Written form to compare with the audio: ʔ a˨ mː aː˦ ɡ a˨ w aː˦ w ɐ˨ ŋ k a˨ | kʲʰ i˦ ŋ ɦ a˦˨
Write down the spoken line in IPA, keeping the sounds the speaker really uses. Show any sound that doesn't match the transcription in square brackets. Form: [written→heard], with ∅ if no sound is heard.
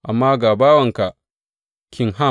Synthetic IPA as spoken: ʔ a˨ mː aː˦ ɡ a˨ [w→b] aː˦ w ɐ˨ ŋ k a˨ | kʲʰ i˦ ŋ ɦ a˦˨